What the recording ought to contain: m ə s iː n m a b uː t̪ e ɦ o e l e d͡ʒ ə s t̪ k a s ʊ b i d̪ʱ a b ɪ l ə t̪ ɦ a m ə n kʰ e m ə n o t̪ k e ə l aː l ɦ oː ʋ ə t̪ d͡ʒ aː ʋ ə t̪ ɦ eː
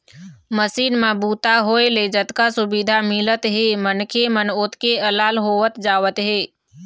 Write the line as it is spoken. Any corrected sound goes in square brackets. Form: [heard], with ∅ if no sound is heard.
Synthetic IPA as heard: m ə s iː n m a b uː t̪ [a] ɦ o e l e d͡ʒ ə [∅] t̪ k a s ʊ b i d̪ʱ a [m] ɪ l ə t̪ ɦ [e] m ə n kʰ e m ə n o t̪ k e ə l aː l ɦ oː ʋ ə t̪ d͡ʒ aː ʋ ə t̪ ɦ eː